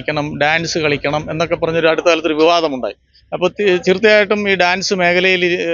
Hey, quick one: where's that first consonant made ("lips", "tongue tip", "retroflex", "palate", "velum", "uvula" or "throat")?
velum